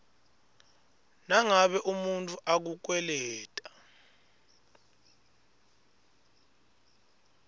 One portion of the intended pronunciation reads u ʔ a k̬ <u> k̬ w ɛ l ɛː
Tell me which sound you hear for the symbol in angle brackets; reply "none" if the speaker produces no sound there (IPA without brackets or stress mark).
u